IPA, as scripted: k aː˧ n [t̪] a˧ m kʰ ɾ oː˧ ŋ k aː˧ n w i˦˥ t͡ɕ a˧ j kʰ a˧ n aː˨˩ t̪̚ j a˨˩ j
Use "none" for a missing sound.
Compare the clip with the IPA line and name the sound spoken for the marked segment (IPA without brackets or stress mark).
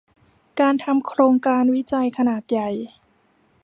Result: t̪ʰ